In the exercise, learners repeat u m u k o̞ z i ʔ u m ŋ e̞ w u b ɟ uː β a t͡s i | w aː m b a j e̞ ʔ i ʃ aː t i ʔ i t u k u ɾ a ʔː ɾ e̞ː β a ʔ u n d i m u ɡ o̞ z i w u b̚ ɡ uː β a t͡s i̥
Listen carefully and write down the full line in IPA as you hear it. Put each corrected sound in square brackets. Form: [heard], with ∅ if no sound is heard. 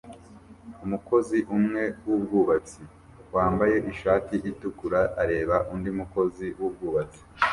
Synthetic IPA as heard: u m u k o̞ z i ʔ u m ŋ e̞ w u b [ɡ] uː β a t͡s i | w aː m b a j e̞ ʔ i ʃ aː t i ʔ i t u k u ɾ a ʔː ɾ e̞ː β a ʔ u n d i m u [k] o̞ z i w u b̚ ɡ uː β a t͡s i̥